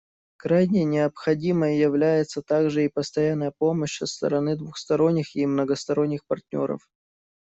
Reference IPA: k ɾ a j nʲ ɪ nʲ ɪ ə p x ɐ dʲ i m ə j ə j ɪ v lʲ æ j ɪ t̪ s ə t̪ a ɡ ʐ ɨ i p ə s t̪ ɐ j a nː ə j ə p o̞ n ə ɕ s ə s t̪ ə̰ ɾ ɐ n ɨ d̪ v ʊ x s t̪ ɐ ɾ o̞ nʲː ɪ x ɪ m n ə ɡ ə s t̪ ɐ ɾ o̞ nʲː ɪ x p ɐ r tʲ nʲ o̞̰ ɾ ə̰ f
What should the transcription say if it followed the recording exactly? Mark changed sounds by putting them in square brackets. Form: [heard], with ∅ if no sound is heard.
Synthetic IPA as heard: k ɾ a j nʲ ɪ nʲ ɪ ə p x ɐ dʲ i m ə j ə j ɪ v lʲ æ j ɪ t̪ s ə t̪ a ɡ ʐ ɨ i p ə s t̪ ɐ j a nː ə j ə p o̞ [m] ə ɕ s ə s t̪ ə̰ ɾ ɐ n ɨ d̪ v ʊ x s t̪ ɐ ɾ o̞ nʲː ɪ x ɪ m n ə ɡ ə s t̪ ɐ ɾ o̞ nʲː ɪ x p ɐ r tʲ nʲ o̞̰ ɾ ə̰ f

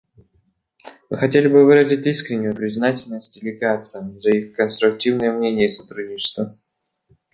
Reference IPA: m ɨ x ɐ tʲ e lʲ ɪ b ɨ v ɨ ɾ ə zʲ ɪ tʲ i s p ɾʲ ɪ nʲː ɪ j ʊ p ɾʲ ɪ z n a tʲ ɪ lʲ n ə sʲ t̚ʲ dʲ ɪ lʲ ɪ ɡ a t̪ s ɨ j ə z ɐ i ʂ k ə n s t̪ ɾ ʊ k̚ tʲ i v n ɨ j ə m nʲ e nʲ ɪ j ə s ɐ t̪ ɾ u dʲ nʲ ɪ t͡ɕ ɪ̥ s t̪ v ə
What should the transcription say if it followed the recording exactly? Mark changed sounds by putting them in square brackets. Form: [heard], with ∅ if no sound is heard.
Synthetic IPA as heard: m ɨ x ɐ tʲ e lʲ ɪ b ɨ v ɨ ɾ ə zʲ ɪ tʲ i s [k] ɾʲ ɪ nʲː ɪ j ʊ p ɾʲ ɪ z n a tʲ ɪ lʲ n ə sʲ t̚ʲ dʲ ɪ lʲ ɪ ɡ a t̪ s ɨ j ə z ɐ i [x] k ə n s t̪ ɾ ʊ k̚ tʲ i v n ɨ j ə m nʲ e nʲ ɪ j ə s ɐ t̪ ɾ u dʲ nʲ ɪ t͡ɕ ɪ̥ s t̪ v ə

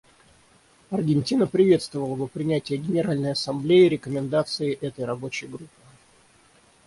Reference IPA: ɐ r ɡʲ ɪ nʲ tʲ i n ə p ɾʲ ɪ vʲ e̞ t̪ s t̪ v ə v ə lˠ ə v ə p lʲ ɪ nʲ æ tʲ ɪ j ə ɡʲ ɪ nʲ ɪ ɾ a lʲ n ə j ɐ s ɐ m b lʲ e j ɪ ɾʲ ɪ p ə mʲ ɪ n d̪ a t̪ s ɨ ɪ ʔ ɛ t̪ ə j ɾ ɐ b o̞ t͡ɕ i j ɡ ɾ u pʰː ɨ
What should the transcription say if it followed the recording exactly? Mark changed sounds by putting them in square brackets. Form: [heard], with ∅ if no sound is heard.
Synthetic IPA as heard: ɐ r ɡʲ ɪ nʲ tʲ i n ə p ɾʲ ɪ vʲ e̞ t̪ s t̪ v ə v ə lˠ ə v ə p [ɾʲ] ɪ nʲ æ tʲ ɪ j ə ɡʲ ɪ nʲ ɪ ɾ a lʲ n ə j ɐ s ɐ m b lʲ e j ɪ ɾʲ ɪ [k] ə mʲ ɪ n d̪ a t̪ s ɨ ɪ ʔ ɛ t̪ ə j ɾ ɐ b o̞ t͡ɕ [ɪ] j ɡ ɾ u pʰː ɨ

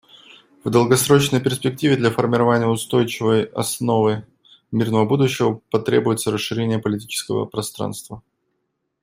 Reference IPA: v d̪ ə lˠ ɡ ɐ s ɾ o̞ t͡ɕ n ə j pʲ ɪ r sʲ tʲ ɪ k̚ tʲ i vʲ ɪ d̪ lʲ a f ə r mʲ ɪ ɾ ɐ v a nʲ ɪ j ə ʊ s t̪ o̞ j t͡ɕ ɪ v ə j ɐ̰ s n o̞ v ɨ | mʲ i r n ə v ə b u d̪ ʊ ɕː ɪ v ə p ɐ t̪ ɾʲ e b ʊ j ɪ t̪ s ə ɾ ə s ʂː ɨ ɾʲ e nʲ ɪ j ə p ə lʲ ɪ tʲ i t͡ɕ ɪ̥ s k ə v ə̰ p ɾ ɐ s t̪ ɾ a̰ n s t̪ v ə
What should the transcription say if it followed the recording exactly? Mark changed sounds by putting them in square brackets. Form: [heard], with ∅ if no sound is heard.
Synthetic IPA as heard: v d̪ ə lˠ ɡ ɐ s ɾ o̞ t͡ɕ n ə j pʲ ɪ r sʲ [pʲ] ɪ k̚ tʲ i vʲ ɪ d̪ lʲ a f ə r mʲ ɪ ɾ ɐ v a nʲ ɪ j ə ʊ s t̪ o̞ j t͡ɕ ɪ v ə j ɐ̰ s n o̞ v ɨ | mʲ i r n ə v ə b u d̪ ʊ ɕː ɪ v ə p ɐ t̪ ɾʲ e b ʊ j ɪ t̪ s ə ɾ ə s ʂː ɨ ɾʲ e nʲ ɪ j ə p ə lʲ ɪ tʲ i t͡ɕ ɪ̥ s k ə v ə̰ p ɾ ɐ s t̪ ɾ a̰ n s t̪ v ə

